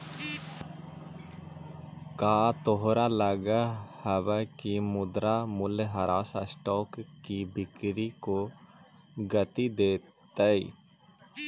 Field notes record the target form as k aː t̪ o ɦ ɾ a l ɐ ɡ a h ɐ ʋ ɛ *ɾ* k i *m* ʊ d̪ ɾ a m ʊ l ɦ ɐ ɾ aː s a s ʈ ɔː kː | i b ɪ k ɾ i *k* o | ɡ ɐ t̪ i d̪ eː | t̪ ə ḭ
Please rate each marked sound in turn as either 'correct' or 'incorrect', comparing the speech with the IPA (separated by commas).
incorrect, correct, correct